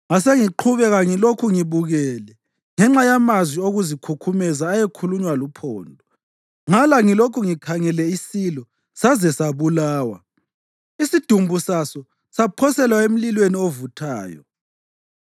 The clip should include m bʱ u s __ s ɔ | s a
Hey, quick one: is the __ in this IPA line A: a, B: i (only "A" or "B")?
A